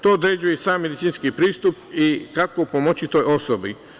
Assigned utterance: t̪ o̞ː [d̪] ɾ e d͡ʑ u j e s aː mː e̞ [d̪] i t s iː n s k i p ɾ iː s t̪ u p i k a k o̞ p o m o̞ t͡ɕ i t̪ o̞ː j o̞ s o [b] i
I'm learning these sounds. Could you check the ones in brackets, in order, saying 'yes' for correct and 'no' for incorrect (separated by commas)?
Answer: yes, yes, yes